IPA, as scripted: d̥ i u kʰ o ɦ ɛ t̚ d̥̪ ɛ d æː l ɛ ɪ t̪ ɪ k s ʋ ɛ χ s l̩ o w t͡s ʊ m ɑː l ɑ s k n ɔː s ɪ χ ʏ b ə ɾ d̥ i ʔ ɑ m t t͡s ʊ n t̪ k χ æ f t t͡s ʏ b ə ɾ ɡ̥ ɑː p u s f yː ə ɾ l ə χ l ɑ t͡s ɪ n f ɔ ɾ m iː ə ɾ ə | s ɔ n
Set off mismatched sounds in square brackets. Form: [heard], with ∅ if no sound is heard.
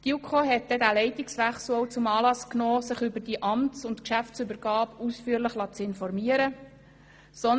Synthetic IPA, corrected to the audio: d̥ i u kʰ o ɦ ɛ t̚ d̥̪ ɛ d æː l ɛ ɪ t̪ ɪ k s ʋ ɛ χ s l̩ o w t͡s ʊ m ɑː l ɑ s k n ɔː s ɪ χ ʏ b ə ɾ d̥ i ʔ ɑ m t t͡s ʊ n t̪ k [ʃ] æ f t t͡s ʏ b ə ɾ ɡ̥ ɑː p u s f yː ə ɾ l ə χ l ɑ t͡s ɪ n f ɔ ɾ m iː ə ɾ ə | s ɔ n